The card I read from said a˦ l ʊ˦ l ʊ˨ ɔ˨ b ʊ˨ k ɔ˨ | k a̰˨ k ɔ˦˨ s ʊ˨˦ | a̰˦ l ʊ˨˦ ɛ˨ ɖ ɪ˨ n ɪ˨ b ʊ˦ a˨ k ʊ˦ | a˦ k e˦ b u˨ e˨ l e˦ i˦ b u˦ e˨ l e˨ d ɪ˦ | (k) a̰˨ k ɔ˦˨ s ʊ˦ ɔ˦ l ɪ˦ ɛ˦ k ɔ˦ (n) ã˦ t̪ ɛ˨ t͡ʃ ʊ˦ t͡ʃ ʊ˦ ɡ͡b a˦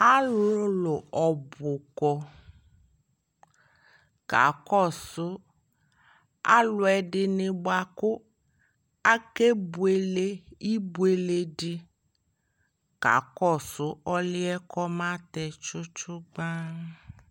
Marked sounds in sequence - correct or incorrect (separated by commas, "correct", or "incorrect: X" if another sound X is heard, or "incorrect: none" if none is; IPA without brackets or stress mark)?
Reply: correct, incorrect: m